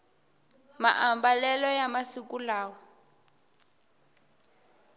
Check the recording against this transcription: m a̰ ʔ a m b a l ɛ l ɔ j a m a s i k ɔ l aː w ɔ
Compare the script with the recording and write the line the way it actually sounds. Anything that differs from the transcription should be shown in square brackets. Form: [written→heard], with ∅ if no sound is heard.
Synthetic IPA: m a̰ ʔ a m b a l ɛ l ɔ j a m a s i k [ɔ→u] l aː w ɔ